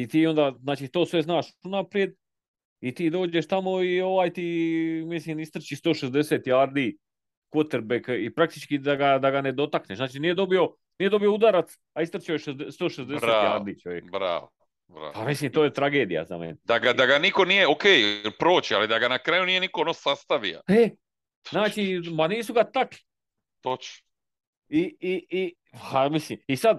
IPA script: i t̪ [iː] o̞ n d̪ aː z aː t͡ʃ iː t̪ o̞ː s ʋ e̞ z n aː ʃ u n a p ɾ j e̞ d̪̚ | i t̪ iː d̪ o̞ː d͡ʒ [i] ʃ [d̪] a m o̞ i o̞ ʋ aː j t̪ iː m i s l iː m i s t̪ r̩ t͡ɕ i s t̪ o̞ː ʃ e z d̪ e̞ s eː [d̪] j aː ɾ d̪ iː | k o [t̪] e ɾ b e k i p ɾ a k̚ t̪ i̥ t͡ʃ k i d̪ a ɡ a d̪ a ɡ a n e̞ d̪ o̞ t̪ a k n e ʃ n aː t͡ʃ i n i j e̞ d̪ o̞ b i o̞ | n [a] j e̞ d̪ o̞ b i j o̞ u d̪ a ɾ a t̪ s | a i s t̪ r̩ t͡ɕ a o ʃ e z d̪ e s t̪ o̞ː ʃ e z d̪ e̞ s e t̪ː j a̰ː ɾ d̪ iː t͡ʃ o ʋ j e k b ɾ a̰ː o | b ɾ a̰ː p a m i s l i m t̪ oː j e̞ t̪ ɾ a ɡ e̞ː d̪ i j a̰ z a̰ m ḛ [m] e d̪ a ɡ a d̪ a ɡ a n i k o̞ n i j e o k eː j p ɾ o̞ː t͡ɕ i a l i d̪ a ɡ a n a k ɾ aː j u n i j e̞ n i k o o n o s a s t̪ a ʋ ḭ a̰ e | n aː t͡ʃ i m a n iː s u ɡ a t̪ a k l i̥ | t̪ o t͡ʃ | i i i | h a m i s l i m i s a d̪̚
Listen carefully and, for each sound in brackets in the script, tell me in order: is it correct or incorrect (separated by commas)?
correct, incorrect, incorrect, incorrect, correct, incorrect, incorrect